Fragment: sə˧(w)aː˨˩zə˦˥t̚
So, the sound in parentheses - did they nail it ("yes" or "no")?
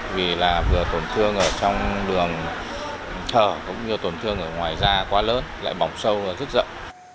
yes